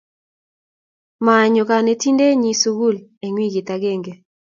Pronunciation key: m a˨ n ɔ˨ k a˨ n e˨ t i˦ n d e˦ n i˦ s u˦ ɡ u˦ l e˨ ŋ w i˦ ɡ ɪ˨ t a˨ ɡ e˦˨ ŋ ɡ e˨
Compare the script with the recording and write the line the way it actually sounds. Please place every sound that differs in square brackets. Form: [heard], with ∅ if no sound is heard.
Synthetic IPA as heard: m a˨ [ɲ] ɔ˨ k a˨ n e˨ t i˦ n d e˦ [ɲ] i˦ s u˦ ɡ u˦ l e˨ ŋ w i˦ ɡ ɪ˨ t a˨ ɡ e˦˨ ŋ ɡ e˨